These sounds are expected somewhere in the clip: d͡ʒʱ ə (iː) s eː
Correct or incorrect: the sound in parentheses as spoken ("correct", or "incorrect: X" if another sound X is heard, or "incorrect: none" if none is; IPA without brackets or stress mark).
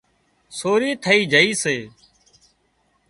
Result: correct